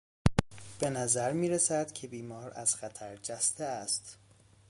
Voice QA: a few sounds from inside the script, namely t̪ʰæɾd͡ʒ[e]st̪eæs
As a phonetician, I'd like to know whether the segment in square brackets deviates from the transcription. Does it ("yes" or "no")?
yes